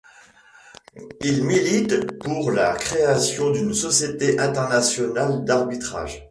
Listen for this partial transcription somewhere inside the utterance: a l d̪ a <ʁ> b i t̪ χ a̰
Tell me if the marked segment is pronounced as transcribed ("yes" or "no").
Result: yes